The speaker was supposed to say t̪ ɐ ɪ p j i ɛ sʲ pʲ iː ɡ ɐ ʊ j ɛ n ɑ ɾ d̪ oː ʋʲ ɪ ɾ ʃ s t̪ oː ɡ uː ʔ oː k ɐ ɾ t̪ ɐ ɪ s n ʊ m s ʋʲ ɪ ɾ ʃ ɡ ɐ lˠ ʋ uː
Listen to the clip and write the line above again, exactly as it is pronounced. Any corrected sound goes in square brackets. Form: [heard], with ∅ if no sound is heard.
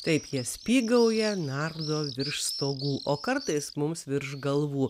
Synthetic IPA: t̪ ɐ ɪ p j i ɛ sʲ pʲ iː ɡ ɐ ʊ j ɛ n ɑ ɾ d̪ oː ʋʲ ɪ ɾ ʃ s t̪ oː ɡ uː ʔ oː k ɐ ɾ t̪ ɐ ɪ s [m] ʊ m s ʋʲ ɪ ɾ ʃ ɡ ɐ lˠ ʋ uː

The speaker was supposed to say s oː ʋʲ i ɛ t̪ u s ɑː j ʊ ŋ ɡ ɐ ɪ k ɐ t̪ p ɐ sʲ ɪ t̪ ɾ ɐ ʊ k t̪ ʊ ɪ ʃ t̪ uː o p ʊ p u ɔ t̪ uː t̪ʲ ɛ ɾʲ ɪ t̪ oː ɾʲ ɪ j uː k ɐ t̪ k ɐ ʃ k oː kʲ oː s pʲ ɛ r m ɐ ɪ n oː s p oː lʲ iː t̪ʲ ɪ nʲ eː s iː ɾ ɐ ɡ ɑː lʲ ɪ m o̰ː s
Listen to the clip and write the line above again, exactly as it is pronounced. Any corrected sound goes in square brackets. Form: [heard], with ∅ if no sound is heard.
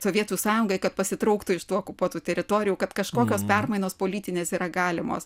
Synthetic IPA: s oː ʋʲ i ɛ t̪ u s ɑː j ʊ ŋ ɡ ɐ ɪ k ɐ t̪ p ɐ sʲ ɪ t̪ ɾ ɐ ʊ k t̪ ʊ ɪ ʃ t̪ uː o [k] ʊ p u ɔ t̪ uː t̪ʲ ɛ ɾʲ ɪ t̪ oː ɾʲ ɪ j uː k ɐ t̪ k ɐ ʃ k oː kʲ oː s pʲ ɛ r m ɐ ɪ n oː s p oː lʲ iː t̪ʲ ɪ nʲ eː s iː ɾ ɐ ɡ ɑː lʲ ɪ m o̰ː s

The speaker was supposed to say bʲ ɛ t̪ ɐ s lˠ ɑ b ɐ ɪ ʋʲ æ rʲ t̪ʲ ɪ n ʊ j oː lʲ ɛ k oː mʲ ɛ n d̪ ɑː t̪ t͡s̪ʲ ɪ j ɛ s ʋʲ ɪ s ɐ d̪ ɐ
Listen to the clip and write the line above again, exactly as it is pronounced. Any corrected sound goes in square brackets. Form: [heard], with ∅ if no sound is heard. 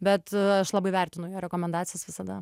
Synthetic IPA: bʲ ɛ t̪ ɐ [ʃ] lˠ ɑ b ɐ ɪ ʋʲ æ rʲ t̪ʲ ɪ n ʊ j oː [ɾʲ] ɛ k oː mʲ ɛ n d̪ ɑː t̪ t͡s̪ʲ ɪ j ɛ s ʋʲ ɪ s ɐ d̪ ɐ

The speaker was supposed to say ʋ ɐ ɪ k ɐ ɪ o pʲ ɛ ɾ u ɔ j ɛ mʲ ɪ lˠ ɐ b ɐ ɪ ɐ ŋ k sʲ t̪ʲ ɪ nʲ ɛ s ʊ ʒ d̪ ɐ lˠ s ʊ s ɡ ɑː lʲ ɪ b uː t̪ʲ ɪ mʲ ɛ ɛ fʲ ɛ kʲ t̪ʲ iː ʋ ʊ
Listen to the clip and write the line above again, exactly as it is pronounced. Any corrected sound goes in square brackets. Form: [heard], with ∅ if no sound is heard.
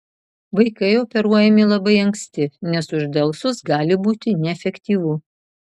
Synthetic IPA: ʋ ɐ ɪ k ɐ ɪ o pʲ ɛ ɾ u ɔ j ɛ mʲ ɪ lˠ ɐ b ɐ ɪ ɐ ŋ k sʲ t̪ʲ ɪ nʲ ɛ s ʊ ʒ d̪ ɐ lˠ s ʊ s ɡ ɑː lʲ ɪ b uː t̪ʲ ɪ [nʲ] ɛ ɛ fʲ ɛ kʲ t̪ʲ iː ʋ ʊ

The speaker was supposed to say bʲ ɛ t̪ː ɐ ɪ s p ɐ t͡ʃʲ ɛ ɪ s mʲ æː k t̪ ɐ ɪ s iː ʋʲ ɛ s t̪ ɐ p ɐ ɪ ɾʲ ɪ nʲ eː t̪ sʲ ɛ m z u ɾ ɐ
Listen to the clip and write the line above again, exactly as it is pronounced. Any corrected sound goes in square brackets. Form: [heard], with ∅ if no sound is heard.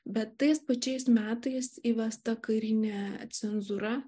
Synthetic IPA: bʲ ɛ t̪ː ɐ ɪ s p ɐ t͡ʃʲ ɛ ɪ s mʲ æː [∅] t̪ ɐ ɪ s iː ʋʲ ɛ s t̪ ɐ [k] ɐ ɪ ɾʲ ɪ nʲ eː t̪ sʲ ɛ [n] z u ɾ ɐ

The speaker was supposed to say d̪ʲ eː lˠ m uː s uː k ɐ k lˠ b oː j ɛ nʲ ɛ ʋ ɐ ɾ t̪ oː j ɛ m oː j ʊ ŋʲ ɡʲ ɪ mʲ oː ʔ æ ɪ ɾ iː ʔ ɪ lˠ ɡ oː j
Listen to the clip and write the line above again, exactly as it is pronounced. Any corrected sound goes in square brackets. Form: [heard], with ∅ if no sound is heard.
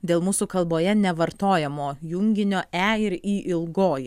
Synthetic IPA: d̪ʲ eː lˠ m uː s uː k ɐ [∅] lˠ b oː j ɛ nʲ ɛ ʋ ɐ ɾ t̪ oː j ɛ m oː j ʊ ŋʲ ɡʲ ɪ [nʲ] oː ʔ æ ɪ ɾ iː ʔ ɪ lˠ ɡ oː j

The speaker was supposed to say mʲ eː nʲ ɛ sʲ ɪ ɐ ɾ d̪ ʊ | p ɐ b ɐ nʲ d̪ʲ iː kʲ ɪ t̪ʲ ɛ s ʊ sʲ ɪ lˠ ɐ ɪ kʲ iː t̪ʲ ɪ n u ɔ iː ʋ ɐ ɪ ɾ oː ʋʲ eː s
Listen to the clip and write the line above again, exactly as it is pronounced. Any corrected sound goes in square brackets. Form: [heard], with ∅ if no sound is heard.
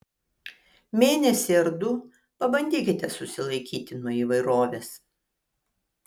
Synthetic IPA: mʲ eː nʲ ɛ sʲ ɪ ɐ ɾ d̪ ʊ | p ɐ b ɐ nʲ d̪ʲ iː kʲ ɪ t̪ʲ ɛ s ʊ sʲ ɪ lˠ ɐ ɪ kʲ iː t̪ʲ ɪ n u ɔ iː ʋ ɐ ɪ ɾ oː ʋʲ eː s

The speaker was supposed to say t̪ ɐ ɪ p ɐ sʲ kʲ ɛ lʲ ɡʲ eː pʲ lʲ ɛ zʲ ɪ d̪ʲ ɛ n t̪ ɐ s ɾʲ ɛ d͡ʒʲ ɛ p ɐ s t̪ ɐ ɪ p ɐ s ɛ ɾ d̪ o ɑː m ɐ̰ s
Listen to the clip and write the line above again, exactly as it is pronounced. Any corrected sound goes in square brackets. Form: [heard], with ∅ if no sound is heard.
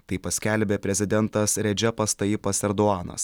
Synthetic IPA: t̪ ɐ ɪ p ɐ sʲ kʲ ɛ lʲ [bʲ] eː pʲ [ɾʲ] ɛ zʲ ɪ d̪ʲ ɛ n t̪ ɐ s ɾʲ ɛ d͡ʒʲ ɛ p ɐ s t̪ ɐ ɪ p ɐ s ɛ ɾ d̪ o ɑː [n] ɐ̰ s

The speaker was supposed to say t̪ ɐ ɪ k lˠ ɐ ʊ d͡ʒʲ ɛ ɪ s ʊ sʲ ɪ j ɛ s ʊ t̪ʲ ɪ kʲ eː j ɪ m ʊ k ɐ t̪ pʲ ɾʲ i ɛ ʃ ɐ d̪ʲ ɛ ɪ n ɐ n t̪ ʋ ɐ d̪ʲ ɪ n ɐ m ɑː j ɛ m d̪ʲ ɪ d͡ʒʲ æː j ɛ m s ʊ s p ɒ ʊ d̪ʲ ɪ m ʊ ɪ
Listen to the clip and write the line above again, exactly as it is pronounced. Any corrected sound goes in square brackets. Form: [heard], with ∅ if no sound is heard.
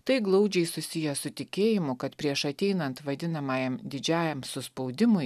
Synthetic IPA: t̪ ɐ ɪ [ɡ] lˠ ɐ ʊ d͡ʒʲ ɛ ɪ s ʊ sʲ ɪ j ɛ s ʊ t̪ʲ ɪ kʲ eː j ɪ m ʊ k ɐ t̪ pʲ ɾʲ i ɛ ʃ ɐ [t̪ʲ] ɛ ɪ n ɐ n t̪ ʋ ɐ d̪ʲ ɪ n ɐ m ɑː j ɛ m d̪ʲ ɪ d͡ʒʲ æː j ɛ m s ʊ s p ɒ ʊ d̪ʲ ɪ m ʊ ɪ

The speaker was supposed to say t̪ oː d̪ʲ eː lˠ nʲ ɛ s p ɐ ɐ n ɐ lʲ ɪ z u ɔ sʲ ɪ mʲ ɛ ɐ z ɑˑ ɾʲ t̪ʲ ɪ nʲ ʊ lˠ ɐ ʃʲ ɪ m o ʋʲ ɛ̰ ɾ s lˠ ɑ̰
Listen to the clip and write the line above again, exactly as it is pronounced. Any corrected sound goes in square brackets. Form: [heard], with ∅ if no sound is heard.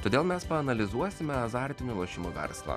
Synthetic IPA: t̪ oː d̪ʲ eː lˠ [mʲ] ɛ s p ɐ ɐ n ɐ lʲ ɪ z u ɔ sʲ ɪ mʲ ɛ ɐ z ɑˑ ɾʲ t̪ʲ ɪ nʲ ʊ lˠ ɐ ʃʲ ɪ m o ʋʲ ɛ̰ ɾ s lˠ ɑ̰

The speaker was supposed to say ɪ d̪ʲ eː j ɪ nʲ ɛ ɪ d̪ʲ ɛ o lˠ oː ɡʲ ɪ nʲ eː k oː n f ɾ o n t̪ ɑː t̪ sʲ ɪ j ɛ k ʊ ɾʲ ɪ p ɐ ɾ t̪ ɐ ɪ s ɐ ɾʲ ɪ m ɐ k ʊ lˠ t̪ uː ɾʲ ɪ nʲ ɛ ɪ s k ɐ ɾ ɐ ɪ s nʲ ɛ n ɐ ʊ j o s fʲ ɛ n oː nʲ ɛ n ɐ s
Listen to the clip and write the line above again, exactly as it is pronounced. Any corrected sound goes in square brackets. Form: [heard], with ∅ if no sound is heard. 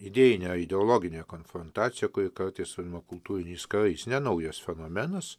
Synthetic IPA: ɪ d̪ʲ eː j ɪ nʲ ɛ ɪ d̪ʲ ɛ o lˠ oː ɡʲ ɪ nʲ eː k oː n f ɾ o n t̪ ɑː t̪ sʲ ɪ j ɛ k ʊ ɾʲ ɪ [k] ɐ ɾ t̪ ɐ ɪ s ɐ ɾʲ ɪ m ɐ k ʊ lˠ t̪ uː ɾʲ ɪ nʲ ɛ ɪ s k ɐ ɾ ɐ ɪ s nʲ ɛ n ɐ ʊ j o s fʲ ɛ n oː [mʲ] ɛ n ɐ s

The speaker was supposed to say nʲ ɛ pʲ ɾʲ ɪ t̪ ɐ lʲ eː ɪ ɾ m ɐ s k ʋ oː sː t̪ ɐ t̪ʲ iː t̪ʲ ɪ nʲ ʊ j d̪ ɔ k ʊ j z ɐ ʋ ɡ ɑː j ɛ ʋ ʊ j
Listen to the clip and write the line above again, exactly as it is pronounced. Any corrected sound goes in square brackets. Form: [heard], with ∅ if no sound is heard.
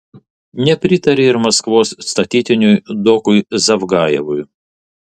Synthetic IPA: nʲ ɛ pʲ ɾʲ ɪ t̪ ɐ [ɾʲ] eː ɪ ɾ m ɐ s k ʋ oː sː t̪ ɐ t̪ʲ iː t̪ʲ ɪ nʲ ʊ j d̪ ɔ k ʊ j z ɐ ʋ ɡ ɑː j ɛ ʋ ʊ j

